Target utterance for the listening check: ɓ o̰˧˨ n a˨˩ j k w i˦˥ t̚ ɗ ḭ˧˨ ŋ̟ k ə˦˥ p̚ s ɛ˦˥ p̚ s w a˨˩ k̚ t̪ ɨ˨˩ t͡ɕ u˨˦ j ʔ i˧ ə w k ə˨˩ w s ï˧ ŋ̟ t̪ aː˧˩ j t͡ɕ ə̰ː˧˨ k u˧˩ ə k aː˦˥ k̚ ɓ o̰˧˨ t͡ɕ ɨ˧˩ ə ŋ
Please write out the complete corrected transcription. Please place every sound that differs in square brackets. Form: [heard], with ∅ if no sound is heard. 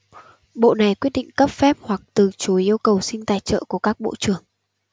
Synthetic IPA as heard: ɓ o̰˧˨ n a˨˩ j k w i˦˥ t̚ ɗ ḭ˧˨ ŋ̟ k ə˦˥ p̚ [f] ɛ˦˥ p̚ [h] w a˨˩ k̚ t̪ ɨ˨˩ t͡ɕ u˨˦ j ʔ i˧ ə w k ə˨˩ w s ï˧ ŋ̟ t̪ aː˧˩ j t͡ɕ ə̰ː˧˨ k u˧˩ ə k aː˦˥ k̚ ɓ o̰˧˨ t͡ɕ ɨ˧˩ ə ŋ